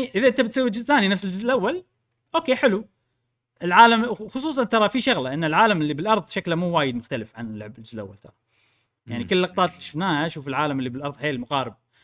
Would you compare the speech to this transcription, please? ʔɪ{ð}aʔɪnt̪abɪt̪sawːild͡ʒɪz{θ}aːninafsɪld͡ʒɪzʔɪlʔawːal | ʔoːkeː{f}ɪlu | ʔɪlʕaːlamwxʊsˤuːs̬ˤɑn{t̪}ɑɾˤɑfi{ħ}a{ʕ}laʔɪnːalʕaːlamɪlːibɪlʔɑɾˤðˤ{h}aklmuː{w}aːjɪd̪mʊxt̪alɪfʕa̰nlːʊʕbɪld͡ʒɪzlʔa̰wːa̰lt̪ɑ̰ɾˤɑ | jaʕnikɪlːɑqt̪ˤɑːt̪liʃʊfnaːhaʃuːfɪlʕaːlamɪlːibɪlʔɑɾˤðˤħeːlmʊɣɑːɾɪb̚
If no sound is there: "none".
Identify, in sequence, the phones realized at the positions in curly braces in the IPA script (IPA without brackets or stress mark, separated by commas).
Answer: ð, θ, ħ, t̪, ʃ, ɣ, ʃ, w